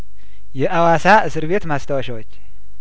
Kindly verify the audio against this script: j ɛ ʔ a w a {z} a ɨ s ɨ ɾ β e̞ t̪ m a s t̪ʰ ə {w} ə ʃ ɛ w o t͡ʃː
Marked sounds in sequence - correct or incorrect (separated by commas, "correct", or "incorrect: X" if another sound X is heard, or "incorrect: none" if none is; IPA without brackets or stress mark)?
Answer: incorrect: s, correct